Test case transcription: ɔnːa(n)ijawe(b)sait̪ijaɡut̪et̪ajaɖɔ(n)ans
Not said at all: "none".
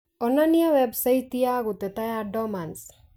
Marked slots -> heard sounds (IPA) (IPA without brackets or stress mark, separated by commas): n, b, m